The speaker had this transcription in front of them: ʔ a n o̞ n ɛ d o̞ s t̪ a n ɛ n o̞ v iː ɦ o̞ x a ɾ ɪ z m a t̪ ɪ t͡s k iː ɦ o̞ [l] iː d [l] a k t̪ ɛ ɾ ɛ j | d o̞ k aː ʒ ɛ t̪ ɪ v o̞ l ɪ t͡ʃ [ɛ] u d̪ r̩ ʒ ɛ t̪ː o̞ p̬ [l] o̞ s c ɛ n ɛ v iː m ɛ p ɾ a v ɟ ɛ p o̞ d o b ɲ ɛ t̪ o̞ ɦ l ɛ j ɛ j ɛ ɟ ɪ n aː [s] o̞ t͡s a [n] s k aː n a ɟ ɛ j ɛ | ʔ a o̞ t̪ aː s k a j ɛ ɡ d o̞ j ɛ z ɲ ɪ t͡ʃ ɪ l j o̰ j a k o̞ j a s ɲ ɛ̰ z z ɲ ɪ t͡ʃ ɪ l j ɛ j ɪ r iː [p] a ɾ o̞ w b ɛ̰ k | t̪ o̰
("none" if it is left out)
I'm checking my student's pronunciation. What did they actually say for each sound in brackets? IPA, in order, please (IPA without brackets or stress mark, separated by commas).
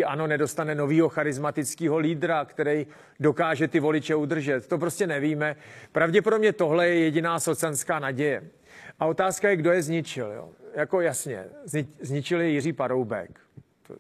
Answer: l, ɾ, ɛ, ɾ, s, n, p